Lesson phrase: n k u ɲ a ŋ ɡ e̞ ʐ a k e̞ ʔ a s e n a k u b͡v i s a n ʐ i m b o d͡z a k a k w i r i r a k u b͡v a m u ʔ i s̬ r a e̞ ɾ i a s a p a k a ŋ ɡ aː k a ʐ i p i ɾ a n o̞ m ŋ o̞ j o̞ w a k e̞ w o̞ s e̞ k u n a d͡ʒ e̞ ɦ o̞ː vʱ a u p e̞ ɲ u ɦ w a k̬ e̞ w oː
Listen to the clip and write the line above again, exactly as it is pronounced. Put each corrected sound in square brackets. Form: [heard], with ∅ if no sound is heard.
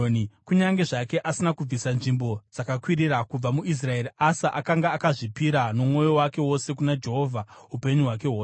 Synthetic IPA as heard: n k u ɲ a ŋ ɡ e̞ ʐ a k e̞ ʔ a s [i] n a k u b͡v i s a n ʐ i m b o d͡z a k a k w i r i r a k u b͡v a m u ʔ i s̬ r a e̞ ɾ i a s a [ʔ] a k a ŋ ɡ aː k a ʐ i p i ɾ a n o̞ m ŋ o̞ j o̞ w a k e̞ w o̞ s e̞ k u n a d͡ʒ e̞ ɦ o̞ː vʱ a u p e̞ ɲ u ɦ w a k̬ e̞ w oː